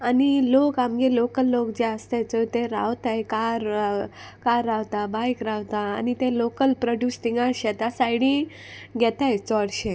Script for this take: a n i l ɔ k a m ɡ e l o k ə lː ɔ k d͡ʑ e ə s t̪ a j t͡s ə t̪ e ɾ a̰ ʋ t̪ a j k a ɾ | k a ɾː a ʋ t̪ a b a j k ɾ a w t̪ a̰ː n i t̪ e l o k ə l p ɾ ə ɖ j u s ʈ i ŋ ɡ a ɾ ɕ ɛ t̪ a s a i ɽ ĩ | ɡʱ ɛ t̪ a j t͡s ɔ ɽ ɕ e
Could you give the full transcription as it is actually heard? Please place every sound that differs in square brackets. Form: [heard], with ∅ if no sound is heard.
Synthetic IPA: a n i l [o] k a m ɡ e l o k ə lː [o] k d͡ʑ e ə s t̪ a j t͡s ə t̪ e ɾ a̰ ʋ t̪ a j k a ɾ | k a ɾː a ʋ t̪ a b a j k ɾ a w t̪ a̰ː n i t̪ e l o k ə l p ɾ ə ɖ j u s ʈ i ŋ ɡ a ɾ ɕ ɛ t̪ a s a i ɽ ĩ | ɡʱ ɛ t̪ a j t͡s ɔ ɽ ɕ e

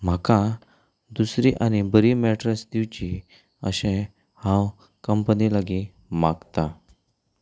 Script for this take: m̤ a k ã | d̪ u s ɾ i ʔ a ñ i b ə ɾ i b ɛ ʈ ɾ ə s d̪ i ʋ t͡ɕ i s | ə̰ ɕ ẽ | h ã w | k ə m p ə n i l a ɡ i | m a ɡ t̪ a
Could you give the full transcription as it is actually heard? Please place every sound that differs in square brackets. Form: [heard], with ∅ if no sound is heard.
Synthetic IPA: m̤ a k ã | d̪ u s ɾ i ʔ a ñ i b ə ɾ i [m] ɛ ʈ ɾ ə s d̪ i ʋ t͡ɕ i [∅] | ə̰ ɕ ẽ | h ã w | k ə m p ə n i l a ɡ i | m a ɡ t̪ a

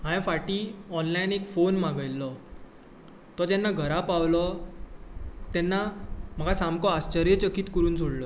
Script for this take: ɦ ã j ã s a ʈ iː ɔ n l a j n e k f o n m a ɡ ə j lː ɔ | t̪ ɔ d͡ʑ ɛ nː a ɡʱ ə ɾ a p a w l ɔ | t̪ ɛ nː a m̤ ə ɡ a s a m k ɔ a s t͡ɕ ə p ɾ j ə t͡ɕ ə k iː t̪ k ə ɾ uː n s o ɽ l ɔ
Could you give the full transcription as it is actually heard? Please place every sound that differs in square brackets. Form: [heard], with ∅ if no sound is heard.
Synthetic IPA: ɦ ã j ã [f] a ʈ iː ɔ n l a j n e k f o n m a ɡ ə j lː ɔ | t̪ ɔ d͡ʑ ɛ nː a ɡʱ ə ɾ a p a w l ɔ | t̪ ɛ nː a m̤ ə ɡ a s a m k ɔ a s t͡ɕ ə [∅] ɾ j ə t͡ɕ ə k iː t̪ k ə ɾ uː n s o ɽ l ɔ

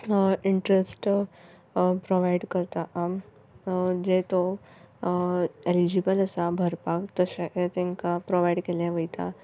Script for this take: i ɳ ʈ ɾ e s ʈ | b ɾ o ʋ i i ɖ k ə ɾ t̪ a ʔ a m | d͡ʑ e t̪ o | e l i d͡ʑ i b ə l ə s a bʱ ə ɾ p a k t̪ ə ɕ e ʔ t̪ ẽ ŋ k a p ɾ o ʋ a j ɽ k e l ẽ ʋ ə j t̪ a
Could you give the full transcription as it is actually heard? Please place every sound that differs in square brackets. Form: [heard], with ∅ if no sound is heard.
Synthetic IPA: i ɳ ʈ ɾ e s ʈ | [p] ɾ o ʋ [a] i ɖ k ə ɾ t̪ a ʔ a m | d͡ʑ e t̪ o | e l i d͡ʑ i b ə l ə s a bʱ ə ɾ p a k t̪ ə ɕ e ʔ t̪ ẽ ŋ k a p ɾ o ʋ a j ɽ k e l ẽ ʋ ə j t̪ a

